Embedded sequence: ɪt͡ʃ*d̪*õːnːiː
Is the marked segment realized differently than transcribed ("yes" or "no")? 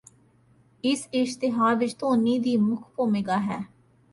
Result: yes